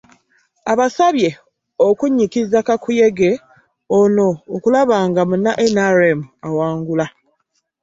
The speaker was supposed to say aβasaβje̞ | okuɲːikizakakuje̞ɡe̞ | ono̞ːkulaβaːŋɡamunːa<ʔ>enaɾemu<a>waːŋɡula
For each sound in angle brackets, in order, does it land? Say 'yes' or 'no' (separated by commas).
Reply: yes, yes